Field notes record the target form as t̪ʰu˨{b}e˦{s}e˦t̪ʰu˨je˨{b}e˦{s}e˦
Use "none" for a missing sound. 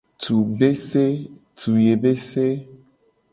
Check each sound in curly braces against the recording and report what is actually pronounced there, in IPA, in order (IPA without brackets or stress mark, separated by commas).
b, s, b, s